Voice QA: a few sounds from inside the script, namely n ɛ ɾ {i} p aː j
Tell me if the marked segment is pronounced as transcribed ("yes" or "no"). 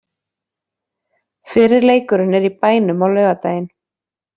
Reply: yes